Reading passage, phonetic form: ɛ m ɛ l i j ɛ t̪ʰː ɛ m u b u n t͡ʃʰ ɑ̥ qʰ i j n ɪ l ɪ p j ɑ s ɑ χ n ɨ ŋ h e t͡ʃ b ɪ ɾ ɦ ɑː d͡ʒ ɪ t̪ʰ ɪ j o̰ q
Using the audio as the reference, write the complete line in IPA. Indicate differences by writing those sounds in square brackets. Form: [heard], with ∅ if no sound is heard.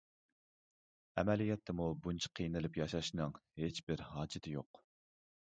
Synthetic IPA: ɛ m ɛ l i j ɛ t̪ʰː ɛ m u b u n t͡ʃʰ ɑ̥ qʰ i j n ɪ l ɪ p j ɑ [ʃ] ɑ [ʃ] n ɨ ŋ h e t͡ʃ b ɪ ɾ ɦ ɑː d͡ʒ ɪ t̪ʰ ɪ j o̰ q